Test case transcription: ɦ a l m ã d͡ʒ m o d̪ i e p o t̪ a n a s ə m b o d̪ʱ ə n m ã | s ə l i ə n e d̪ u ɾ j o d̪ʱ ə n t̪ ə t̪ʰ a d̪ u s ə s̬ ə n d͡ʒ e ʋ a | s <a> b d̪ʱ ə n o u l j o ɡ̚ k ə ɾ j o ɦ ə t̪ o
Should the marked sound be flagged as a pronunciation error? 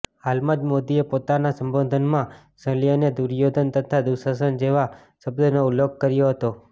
yes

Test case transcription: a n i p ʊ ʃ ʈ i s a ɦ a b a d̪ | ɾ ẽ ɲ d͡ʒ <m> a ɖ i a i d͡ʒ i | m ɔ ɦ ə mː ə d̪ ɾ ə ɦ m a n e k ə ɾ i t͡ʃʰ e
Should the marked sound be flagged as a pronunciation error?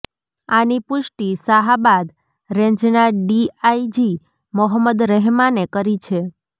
yes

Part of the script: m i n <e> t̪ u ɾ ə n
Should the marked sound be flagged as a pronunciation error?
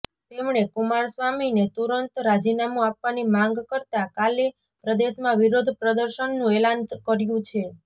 no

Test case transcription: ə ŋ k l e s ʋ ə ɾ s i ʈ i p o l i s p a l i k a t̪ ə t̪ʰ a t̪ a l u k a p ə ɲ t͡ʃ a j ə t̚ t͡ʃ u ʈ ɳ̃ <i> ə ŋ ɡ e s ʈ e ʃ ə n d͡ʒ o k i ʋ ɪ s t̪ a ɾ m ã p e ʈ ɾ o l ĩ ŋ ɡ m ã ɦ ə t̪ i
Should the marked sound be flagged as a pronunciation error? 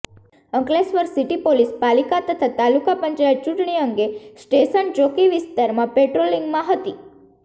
no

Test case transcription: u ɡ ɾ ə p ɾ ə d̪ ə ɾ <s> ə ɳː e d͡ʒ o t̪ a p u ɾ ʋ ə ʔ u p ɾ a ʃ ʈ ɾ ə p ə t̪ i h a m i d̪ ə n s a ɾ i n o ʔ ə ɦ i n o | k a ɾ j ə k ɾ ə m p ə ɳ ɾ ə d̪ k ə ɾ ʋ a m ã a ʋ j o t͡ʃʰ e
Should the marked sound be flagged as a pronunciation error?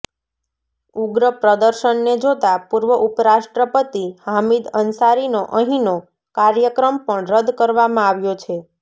yes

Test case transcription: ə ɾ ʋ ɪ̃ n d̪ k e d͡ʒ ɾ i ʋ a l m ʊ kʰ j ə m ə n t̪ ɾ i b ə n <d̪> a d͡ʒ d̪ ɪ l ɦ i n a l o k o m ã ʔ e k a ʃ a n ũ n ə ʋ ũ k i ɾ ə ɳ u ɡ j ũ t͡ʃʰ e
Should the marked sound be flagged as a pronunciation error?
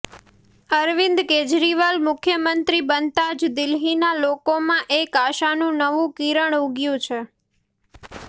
yes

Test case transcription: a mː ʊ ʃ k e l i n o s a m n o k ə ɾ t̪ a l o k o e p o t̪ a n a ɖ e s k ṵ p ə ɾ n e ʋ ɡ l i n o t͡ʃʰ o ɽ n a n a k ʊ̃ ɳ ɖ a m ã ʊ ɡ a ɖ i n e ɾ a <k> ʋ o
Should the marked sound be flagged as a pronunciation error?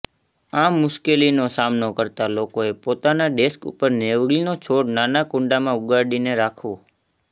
yes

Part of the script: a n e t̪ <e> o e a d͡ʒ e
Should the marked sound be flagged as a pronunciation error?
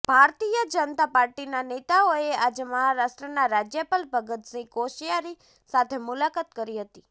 yes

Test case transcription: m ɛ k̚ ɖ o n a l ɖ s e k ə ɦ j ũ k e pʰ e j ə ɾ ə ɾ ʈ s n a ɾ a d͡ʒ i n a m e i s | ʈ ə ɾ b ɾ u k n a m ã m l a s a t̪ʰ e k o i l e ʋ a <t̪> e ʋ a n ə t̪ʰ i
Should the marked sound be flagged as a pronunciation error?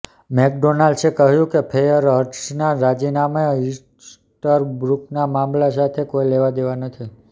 yes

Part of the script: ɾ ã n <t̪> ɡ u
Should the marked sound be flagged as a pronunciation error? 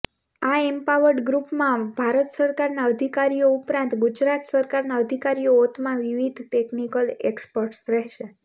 no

